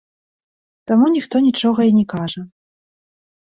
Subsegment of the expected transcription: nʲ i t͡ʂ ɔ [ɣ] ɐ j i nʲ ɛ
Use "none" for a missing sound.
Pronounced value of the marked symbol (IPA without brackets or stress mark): ɣ